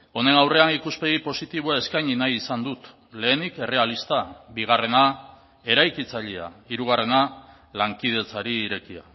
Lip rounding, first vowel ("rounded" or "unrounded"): rounded